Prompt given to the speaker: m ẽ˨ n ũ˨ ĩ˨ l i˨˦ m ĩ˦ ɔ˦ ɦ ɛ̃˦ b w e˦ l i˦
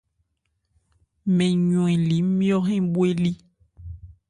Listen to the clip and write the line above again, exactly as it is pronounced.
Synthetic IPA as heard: m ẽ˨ ɲ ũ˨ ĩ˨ l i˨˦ m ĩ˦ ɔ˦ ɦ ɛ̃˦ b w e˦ l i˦